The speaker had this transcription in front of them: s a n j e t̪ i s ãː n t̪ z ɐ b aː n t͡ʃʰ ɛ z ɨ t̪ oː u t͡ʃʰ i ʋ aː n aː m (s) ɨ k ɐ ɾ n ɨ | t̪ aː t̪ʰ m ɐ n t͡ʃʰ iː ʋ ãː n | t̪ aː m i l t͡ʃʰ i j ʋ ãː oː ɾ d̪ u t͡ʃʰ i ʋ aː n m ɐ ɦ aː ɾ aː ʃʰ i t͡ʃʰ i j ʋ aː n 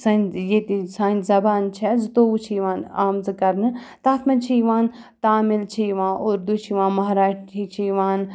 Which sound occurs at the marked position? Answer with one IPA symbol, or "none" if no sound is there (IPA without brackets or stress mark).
z